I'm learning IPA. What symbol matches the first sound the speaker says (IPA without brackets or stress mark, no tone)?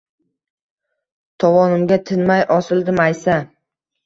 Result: t̪ʰ